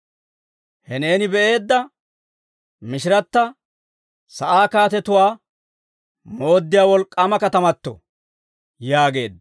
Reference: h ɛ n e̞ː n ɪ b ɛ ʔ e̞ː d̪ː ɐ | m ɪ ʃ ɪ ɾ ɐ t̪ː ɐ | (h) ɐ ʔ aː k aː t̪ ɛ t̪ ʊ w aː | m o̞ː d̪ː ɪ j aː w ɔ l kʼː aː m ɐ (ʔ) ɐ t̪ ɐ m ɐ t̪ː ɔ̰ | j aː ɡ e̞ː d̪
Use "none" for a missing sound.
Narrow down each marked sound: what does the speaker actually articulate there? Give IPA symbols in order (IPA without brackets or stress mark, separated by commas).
s, k